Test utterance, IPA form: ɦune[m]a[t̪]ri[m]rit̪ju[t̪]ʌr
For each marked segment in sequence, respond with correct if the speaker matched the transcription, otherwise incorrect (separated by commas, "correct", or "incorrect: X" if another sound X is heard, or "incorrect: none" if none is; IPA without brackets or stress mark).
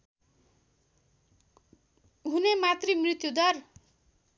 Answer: correct, correct, correct, incorrect: d̪